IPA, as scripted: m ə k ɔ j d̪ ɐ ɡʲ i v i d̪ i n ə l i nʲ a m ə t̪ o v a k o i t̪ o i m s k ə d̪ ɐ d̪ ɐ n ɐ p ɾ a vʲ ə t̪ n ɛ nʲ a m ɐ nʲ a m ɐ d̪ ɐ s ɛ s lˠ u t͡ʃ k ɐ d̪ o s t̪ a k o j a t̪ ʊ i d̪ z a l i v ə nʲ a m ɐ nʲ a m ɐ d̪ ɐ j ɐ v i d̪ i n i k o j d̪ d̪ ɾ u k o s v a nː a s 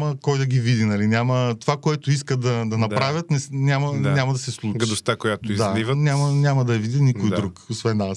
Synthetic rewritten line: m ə k ɔ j d̪ ɐ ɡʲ i v i d̪ i n ɐ l i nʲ a m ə t̪ o v a k o ɛ t̪ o i s k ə d̪ ɐ d̪ ɐ n ɐ p ɾ a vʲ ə t̪ n ɛ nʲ a m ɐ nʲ a m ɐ d̪ ɐ s ɛ s lˠ u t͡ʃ ɡ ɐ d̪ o s t̪ a k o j a t̪ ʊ i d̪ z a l i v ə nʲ a m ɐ nʲ a m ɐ d̪ ɐ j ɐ v i d̪ i n i k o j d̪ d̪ ɾ u k o s v ɛ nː a s